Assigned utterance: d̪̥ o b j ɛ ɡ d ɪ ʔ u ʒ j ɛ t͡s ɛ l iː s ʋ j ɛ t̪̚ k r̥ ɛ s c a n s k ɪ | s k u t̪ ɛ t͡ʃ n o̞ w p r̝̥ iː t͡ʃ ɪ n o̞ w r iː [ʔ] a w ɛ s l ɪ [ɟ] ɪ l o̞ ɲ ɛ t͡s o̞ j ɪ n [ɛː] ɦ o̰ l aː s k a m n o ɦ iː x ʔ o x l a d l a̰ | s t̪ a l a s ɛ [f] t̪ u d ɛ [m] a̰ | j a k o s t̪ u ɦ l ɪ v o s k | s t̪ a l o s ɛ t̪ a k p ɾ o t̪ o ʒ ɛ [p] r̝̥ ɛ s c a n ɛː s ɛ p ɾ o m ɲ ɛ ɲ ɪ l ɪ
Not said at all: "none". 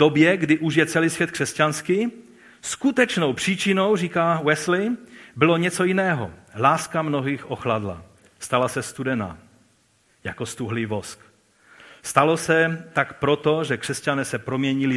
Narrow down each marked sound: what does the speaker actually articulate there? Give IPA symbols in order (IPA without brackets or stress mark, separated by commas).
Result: k, b, ɛː, s, n, k